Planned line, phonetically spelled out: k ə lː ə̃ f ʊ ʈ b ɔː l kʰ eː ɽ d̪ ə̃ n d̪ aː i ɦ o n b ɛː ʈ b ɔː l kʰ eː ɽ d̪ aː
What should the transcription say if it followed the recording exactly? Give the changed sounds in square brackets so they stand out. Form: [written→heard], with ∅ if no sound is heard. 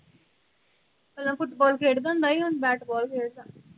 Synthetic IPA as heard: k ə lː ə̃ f ʊ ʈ b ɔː l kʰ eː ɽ d̪ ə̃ n d̪ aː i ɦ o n b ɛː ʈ b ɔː l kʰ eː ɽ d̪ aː